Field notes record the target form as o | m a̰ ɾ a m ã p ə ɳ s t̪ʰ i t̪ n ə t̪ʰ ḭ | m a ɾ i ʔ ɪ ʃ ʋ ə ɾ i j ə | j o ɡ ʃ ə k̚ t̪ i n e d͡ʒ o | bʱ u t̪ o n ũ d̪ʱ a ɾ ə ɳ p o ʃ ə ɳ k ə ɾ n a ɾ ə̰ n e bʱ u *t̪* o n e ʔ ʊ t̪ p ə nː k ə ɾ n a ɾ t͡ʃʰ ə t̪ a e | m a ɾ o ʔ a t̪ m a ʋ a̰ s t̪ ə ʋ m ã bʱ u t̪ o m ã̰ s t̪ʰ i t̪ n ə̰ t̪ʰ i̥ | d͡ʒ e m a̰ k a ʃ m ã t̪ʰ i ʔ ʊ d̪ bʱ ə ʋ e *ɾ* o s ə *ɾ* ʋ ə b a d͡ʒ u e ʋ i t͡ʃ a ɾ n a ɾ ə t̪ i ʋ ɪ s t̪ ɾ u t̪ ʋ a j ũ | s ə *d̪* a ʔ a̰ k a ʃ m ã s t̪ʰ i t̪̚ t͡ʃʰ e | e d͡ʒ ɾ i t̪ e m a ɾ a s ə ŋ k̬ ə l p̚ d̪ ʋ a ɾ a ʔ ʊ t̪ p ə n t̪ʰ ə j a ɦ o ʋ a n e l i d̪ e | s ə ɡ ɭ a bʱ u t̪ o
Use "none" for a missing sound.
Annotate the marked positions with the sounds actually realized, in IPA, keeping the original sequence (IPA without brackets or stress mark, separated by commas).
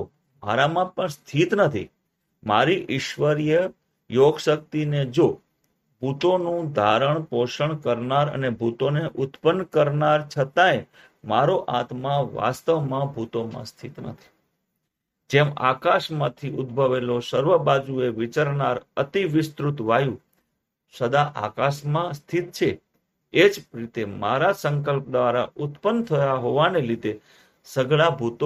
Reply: t̪, l, ɾ, d̪